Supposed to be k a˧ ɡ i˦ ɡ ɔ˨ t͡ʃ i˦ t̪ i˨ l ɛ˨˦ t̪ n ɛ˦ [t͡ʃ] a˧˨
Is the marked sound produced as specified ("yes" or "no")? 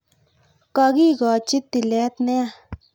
no